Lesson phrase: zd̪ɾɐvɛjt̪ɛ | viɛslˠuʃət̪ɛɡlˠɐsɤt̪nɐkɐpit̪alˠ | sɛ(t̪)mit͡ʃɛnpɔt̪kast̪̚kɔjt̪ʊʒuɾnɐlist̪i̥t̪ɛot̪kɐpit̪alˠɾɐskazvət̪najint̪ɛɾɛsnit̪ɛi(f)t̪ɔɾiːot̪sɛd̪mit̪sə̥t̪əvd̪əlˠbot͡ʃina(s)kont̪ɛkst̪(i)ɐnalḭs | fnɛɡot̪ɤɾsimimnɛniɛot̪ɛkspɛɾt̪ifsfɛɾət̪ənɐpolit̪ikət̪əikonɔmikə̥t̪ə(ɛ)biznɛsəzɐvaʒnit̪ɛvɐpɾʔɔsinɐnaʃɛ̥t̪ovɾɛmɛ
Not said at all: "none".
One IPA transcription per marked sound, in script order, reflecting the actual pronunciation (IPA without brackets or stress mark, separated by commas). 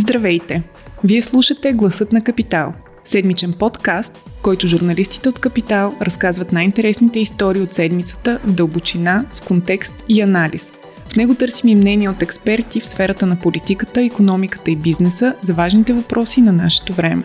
d̪, s, s, i, i